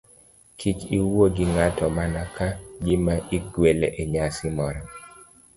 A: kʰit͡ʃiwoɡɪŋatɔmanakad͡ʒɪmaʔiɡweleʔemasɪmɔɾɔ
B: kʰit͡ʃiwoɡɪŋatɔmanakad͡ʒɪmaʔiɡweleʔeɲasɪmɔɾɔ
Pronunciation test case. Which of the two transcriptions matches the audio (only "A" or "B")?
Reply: B